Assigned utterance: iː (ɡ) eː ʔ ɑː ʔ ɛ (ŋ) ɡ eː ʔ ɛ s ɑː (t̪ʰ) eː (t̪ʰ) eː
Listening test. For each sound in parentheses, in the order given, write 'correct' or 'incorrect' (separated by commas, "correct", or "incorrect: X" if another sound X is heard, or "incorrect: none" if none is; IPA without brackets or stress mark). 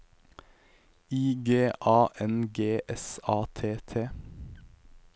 correct, incorrect: n, correct, correct